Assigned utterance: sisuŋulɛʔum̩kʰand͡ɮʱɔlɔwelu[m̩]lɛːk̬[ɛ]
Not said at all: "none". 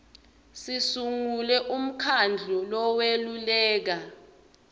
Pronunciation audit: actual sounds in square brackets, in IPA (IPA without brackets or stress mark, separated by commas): none, a